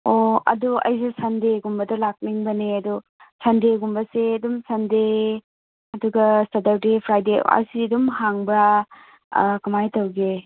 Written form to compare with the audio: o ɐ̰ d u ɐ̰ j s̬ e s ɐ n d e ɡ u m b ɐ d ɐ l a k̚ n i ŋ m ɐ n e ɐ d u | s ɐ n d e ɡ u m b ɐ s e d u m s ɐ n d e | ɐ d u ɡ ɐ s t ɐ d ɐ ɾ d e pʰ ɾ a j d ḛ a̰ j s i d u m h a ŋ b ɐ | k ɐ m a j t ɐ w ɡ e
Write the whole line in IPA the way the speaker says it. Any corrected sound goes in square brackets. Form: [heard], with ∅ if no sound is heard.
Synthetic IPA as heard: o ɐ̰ d u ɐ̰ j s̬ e s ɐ n d e ɡ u m b ɐ d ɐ l a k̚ n i ŋ [b] ɐ n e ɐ d u | s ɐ n d e ɡ u m b ɐ s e d u m s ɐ n d e | ɐ d u ɡ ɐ s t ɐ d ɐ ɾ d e pʰ ɾ a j d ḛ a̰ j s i d u m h a ŋ b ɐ | k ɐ m a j t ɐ w ɡ e